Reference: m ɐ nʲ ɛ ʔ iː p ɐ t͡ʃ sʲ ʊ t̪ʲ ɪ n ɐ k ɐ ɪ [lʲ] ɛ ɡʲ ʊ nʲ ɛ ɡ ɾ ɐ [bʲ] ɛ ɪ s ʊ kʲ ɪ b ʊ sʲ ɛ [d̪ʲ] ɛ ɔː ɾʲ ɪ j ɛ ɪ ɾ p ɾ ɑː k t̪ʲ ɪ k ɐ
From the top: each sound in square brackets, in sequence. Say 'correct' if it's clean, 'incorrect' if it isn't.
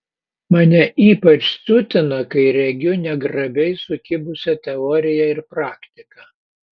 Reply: incorrect, correct, incorrect

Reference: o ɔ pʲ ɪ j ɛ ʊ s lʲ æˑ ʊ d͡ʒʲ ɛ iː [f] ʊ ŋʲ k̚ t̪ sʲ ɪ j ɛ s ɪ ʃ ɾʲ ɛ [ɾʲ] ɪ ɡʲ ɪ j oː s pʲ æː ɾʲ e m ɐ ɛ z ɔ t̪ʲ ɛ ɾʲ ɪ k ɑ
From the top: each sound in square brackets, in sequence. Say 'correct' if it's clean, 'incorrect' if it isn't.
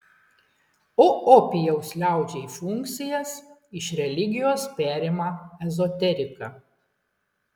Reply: correct, incorrect

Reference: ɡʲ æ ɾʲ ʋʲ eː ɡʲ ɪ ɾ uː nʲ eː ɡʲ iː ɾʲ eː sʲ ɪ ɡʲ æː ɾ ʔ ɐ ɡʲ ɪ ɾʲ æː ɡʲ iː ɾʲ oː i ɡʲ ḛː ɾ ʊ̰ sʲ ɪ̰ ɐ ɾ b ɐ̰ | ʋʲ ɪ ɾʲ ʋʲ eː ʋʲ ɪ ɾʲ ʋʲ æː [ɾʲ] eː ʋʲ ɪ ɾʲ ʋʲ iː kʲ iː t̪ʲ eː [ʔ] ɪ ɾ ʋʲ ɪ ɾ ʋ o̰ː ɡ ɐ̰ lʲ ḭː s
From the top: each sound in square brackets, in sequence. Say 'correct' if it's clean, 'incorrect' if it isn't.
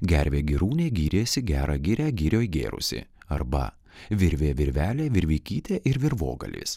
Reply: incorrect, correct

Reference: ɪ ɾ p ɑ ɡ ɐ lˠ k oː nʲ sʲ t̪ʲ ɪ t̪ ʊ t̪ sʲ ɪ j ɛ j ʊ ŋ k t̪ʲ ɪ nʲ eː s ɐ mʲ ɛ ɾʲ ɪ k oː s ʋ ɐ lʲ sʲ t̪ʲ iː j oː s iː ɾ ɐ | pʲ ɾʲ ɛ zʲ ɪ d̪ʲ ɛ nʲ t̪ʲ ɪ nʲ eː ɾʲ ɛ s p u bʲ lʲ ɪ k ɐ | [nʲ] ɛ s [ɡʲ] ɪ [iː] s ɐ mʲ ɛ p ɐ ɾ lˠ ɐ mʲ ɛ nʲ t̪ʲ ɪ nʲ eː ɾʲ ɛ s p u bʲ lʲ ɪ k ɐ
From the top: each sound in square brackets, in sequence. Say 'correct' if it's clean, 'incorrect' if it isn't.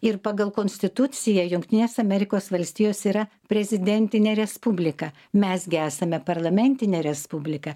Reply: incorrect, correct, incorrect

